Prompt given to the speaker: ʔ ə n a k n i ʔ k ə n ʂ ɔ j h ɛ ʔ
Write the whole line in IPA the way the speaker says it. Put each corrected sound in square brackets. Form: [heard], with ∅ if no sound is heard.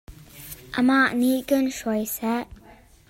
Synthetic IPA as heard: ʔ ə [m] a [ʔ] n i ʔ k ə n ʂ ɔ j [s] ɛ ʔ